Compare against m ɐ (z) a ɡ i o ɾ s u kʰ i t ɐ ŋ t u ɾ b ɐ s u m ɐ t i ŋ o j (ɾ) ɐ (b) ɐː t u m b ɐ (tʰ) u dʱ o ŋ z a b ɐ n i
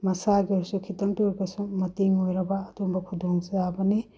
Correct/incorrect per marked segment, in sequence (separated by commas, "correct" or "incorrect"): incorrect, correct, correct, incorrect